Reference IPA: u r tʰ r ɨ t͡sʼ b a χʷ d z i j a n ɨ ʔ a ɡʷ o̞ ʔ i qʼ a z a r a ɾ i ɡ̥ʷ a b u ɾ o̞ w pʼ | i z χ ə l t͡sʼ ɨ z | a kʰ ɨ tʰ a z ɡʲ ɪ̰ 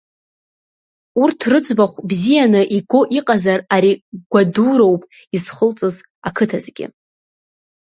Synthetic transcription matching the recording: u r tʰ r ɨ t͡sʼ b a χʷ b z i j a n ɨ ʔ i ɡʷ o̞ ʔ i qʼ a z a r a ɾ i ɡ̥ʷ a d u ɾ o̞ w pʼ | i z χ ə l t͡sʼ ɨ z | a kʰ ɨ tʰ a z ɡʲ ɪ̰